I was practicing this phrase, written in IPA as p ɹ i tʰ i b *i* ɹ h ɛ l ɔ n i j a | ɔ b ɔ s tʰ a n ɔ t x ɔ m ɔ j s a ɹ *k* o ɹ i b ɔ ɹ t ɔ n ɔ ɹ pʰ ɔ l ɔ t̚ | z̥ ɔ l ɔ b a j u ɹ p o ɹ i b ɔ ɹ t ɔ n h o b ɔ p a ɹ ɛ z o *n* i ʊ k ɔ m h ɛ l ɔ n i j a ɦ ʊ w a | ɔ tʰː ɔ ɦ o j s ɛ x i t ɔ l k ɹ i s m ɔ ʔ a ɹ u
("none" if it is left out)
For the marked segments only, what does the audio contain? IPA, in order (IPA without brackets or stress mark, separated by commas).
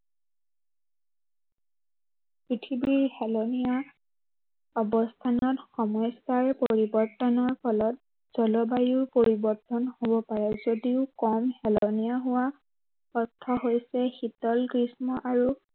i, p, d